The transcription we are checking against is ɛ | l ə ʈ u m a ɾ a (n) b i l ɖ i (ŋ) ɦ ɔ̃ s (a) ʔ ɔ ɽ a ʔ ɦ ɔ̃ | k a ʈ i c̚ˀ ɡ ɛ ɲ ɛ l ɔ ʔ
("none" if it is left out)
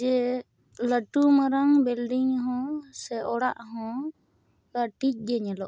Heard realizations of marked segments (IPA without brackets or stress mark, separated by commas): ŋ, ŋ, ɛ